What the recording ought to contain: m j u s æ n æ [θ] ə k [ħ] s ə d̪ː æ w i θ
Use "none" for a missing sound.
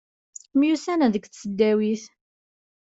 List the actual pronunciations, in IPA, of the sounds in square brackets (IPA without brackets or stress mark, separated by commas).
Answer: ð, θ